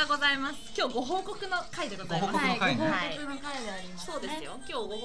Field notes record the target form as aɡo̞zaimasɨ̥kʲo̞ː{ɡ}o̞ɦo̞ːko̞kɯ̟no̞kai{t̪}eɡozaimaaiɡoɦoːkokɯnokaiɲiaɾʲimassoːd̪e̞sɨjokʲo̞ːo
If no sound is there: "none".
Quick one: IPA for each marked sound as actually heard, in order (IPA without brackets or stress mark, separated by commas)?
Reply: ɡ, d̪